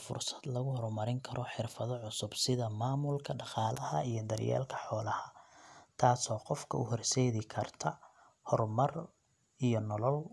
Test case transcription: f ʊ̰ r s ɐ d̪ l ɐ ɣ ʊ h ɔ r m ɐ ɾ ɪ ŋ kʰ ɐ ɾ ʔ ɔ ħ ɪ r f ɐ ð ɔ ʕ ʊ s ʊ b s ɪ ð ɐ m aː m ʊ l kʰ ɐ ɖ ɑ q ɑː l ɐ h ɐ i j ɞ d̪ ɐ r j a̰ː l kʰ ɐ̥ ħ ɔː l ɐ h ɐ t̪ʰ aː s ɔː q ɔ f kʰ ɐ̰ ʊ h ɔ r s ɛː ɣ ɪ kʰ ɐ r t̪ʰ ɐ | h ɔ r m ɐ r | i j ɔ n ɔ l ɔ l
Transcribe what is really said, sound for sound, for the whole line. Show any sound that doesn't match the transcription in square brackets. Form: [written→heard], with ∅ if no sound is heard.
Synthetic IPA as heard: f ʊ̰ r s ɐ d̪ l ɐ ɣ ʊ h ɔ r m ɐ ɾ ɪ ŋ kʰ ɐ ɾ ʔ ɔ ħ ɪ r f ɐ ð ɔ ʕ ʊ s ʊ b s ɪ ð ɐ m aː m ʊ l kʰ ɐ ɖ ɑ q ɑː l ɐ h ɐ i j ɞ d̪ ɐ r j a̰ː l kʰ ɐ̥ ħ ɔː l ɐ h ɐ t̪ʰ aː s ɔː q ɔ f kʰ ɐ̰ ʊ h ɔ r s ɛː [ɣ→ð] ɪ kʰ ɐ r t̪ʰ ɐ | h ɔ r m ɐ r | i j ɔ n ɔ l ɔ l